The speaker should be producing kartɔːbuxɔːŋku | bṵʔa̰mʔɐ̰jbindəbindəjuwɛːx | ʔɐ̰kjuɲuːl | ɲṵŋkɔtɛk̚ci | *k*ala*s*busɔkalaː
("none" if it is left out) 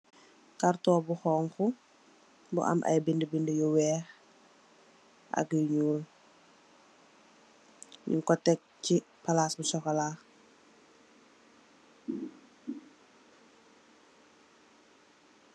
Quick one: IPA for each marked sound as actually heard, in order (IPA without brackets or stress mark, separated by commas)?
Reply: p, s